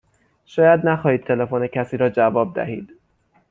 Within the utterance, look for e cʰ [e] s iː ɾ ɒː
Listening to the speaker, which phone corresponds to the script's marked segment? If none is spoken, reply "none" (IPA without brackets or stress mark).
æ